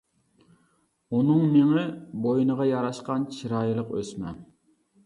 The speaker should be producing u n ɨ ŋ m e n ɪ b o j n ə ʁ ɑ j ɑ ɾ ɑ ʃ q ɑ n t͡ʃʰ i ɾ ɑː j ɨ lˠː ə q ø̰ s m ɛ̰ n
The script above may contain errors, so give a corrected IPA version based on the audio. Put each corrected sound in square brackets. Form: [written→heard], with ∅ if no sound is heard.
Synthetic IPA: u n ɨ ŋ m e [n→ŋ] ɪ b o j n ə ʁ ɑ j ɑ ɾ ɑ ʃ q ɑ n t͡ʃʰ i ɾ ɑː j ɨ [lˠː→lˠ] ə q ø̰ s m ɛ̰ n